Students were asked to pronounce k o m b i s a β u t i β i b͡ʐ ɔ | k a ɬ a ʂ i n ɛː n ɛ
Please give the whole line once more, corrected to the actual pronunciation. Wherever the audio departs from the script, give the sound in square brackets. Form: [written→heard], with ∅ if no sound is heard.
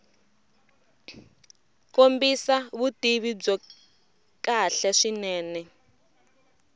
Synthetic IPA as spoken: k o m b i s a β u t i β i b͡ʐ ɔ | k a ɬ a ʂ i n ɛː n ɛ